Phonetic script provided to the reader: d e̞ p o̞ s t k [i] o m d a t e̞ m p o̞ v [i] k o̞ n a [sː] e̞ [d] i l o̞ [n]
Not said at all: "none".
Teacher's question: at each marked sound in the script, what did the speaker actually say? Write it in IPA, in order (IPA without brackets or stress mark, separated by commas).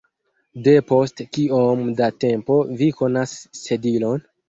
i, i, sː, d, n